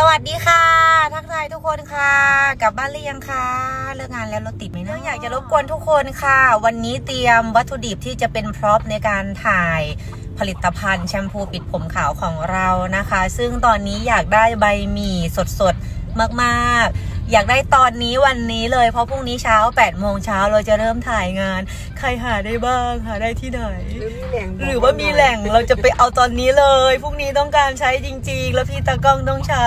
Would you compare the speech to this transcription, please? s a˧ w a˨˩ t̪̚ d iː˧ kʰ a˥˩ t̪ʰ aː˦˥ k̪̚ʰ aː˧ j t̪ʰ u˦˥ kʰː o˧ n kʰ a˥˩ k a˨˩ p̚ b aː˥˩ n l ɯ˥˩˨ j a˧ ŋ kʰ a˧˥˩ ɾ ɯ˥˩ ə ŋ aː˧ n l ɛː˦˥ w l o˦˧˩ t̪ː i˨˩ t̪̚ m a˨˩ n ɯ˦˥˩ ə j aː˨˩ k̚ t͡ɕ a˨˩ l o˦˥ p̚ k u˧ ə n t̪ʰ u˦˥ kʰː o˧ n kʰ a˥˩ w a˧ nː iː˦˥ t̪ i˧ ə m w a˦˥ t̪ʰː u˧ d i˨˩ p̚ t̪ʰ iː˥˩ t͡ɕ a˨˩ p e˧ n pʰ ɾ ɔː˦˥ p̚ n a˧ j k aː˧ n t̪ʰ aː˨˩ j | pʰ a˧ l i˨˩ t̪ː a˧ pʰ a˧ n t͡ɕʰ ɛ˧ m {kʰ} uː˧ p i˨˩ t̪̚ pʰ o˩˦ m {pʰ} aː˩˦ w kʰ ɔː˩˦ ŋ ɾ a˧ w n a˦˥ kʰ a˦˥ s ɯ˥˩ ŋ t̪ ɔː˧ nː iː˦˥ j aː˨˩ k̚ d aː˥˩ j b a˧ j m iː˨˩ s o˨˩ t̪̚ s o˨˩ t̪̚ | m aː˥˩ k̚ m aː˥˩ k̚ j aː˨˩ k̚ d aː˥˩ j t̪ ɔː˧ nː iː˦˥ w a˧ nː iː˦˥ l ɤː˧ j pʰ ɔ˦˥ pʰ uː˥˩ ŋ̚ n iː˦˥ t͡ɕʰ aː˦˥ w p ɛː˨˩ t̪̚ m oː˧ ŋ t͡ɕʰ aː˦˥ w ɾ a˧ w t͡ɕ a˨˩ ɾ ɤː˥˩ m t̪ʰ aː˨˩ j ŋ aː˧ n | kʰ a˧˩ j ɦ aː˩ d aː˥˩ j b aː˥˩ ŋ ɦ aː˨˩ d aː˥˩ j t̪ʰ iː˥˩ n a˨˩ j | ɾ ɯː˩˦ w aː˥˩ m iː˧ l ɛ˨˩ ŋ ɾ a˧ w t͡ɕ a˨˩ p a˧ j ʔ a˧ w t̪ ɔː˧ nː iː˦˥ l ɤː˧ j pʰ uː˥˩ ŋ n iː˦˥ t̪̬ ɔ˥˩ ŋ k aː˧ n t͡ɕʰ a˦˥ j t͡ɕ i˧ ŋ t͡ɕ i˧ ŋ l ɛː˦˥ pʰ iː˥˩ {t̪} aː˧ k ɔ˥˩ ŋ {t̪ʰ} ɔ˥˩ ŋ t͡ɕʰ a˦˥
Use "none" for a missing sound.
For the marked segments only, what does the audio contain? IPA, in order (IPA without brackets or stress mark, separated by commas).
pʰ, kʰ, t̪, t̪